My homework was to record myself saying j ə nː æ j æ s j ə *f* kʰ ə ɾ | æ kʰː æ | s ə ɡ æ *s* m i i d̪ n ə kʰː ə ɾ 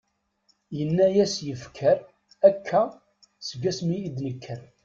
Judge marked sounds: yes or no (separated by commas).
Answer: yes, yes